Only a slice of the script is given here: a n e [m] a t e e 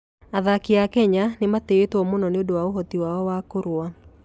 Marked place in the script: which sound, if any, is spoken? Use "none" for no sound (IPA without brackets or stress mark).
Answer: m